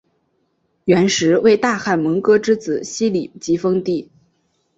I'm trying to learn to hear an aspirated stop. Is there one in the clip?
no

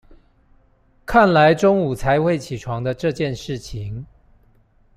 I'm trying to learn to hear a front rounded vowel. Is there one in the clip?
no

